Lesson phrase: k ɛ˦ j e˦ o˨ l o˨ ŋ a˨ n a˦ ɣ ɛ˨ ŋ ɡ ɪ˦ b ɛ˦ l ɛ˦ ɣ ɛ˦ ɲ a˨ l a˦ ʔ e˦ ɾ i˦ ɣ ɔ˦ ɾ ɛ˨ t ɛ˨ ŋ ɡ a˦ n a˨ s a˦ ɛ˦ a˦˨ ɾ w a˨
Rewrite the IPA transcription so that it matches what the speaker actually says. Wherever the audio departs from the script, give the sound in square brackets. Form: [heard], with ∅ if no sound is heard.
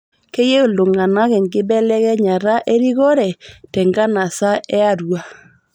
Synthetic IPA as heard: k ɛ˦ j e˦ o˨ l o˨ ŋ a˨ n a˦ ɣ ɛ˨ ŋ ɡ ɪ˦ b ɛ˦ l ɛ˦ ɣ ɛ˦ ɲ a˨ [ɾ] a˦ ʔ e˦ ɾ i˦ ɣ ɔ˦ ɾ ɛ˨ t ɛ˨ ŋ ɡ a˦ n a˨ s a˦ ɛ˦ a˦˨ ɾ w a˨